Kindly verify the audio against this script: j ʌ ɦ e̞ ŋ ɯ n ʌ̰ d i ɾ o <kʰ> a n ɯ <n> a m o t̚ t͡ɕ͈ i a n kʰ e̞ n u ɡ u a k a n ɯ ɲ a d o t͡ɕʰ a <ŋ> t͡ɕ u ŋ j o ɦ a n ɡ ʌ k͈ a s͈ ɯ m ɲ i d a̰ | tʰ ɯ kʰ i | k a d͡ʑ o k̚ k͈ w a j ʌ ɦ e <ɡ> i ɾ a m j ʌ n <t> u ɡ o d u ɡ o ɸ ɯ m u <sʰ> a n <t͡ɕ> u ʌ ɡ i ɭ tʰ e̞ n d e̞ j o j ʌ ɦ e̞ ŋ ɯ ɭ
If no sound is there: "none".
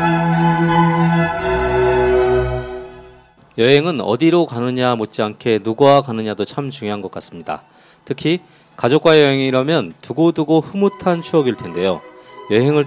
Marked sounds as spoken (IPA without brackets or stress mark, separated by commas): k, ɲ, m, ŋ, t, tʰ, t͡ɕʰ